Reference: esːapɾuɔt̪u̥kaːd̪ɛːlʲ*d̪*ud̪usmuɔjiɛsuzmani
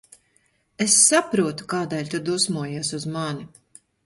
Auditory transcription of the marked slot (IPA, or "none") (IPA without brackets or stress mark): t̪